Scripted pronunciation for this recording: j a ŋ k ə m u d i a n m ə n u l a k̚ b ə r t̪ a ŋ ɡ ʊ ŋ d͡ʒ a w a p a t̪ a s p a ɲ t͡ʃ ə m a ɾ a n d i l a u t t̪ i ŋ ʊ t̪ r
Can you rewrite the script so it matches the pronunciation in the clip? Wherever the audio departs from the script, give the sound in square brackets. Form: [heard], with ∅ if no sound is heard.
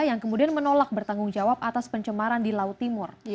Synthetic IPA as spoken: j a ŋ k ə m u d i a n m ə n [o] l a k̚ b ə r t̪ a ŋ ɡ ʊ ŋ d͡ʒ a w a p a t̪ a s p [ə] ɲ t͡ʃ ə m a ɾ a n d i l a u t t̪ i [m] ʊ [∅] r

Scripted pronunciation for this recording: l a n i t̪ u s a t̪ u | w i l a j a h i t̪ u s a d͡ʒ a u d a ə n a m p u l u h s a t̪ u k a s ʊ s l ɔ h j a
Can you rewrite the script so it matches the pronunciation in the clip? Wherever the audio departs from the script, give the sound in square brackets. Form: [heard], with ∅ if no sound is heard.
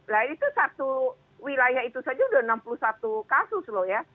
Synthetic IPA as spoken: l a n i t̪ u s a t̪ u | w i l a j a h i t̪ u s a d͡ʒ a u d a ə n a m p u l u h s a t̪ u k a s ʊ s l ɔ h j a

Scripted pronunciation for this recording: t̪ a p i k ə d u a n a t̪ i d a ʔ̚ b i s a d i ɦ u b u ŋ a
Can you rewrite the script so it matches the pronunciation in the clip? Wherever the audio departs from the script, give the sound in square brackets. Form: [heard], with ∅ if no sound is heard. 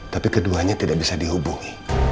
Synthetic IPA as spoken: t̪ a p i k ə d u a [ɲ] a t̪ i d a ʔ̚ b i s a d i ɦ u b u ŋ [i]

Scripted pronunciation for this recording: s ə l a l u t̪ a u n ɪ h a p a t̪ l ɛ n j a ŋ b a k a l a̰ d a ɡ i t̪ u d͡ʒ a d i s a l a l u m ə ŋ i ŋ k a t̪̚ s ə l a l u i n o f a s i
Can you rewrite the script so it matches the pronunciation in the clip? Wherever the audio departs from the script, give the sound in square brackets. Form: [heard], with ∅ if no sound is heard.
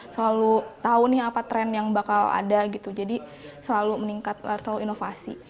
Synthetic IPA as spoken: s ə l a l u t̪ a u n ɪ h a p a t̪ [ɾ] ɛ n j a ŋ b a k a l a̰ d a ɡ i t̪ u d͡ʒ a d i s [ə] l a l u m ə [n] i ŋ k a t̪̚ s ə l a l u i n o f a s i

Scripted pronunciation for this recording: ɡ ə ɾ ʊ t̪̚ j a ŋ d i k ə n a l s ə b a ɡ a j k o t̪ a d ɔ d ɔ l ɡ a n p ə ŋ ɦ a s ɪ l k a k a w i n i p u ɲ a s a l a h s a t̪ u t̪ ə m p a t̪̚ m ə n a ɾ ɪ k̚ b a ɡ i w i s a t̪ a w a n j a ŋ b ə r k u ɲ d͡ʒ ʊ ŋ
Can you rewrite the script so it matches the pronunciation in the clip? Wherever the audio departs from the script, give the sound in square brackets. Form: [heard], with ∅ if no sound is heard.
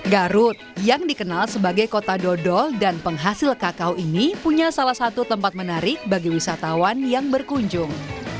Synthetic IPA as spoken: ɡ [a] ɾ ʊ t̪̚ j a ŋ d i k ə n a l s ə b a ɡ a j k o t̪ a d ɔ d ɔ l [d] a n p ə ŋ ɦ a s ɪ l k a k a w i n i p u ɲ a s a l a h s a t̪ u t̪ ə m p a t̪̚ m ə n a ɾ ɪ k̚ b a ɡ i w i s a t̪ a w a n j a ŋ b ə r k u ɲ d͡ʒ ʊ ŋ

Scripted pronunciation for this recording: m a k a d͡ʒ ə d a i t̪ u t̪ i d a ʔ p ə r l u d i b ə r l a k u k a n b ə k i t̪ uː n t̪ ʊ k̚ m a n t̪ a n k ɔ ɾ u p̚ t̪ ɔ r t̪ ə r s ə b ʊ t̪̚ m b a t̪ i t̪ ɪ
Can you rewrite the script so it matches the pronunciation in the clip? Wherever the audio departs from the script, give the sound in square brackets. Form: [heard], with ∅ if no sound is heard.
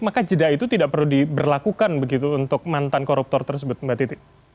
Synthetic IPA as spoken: m a k a d͡ʒ ə d a i t̪ u t̪ i d a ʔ p ə r l u d i b ə r l a k u k a n b ə [ɡ] i t̪ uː n t̪ ʊ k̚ m a n t̪ a n k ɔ ɾ u p̚ t̪ ɔ r t̪ ə r s ə b ʊ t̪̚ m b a t̪ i t̪ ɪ

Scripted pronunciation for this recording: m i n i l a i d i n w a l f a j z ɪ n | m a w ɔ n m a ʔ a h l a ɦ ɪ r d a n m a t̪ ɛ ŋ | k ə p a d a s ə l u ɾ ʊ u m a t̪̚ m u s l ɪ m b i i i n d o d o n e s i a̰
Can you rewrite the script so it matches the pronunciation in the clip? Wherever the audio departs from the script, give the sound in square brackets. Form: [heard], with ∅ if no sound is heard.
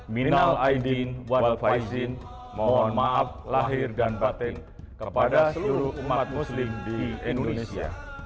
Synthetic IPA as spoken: m i n [a] l a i d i n w a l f a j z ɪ n | m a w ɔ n m a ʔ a [f] l a ɦ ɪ r d a n [b] a t̪ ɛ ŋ | k ə p a d a s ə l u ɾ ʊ u m a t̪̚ m u s l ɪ m [d] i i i n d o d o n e s i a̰

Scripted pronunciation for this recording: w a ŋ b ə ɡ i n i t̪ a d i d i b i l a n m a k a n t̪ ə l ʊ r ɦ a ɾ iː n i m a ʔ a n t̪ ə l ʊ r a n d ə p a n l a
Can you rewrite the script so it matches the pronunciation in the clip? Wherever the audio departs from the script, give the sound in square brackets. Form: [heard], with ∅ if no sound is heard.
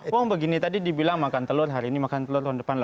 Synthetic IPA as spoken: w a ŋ b ə ɡ i n i t̪ a d i d i b i l a [ŋ] m a k a n t̪ ə l ʊ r ɦ a ɾ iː n i m a [k] a n t̪ ə l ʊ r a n d ə p a n l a

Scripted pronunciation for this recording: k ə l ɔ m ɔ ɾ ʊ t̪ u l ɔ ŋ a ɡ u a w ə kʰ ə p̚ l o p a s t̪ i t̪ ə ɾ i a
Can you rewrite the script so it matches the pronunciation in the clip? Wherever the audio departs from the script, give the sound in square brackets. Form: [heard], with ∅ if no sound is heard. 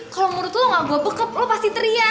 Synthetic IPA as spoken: k [a] l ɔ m [u] ɾ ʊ t̪ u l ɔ ŋ a ɡ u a [b] ə [k] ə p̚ l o p a s t̪ i t̪ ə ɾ i a

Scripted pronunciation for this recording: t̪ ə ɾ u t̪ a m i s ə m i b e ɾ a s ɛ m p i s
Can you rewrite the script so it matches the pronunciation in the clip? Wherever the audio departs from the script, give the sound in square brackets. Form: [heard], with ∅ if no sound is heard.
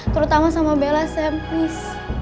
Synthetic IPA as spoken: t̪ ə ɾ u t̪ a m [a] s [a] m [a] b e [l] a s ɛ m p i s

